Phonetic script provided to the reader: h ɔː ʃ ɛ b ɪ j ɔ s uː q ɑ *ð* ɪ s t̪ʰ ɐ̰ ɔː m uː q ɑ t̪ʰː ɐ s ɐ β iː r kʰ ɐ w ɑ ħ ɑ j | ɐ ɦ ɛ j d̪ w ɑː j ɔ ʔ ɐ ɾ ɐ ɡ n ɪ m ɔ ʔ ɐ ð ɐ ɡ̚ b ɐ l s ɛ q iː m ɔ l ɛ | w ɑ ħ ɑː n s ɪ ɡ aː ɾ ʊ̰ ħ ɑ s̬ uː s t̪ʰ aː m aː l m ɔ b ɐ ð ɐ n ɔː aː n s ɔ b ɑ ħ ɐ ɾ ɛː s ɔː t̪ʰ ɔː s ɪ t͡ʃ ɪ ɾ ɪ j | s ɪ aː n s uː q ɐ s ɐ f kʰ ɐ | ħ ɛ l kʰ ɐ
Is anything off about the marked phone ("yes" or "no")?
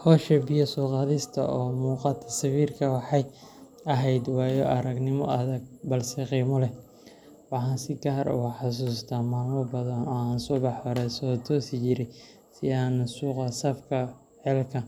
no